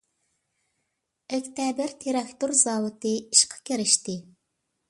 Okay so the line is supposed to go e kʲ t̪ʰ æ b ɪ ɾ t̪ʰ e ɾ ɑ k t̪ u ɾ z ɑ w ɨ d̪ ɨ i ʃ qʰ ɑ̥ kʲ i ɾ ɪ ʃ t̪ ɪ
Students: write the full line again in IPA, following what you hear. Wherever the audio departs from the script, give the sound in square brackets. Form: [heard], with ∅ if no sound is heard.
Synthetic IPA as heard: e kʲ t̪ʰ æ b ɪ ɾ t̪ʰ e ɾ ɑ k t̪ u ɾ z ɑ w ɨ [t̪] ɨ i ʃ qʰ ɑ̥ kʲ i ɾ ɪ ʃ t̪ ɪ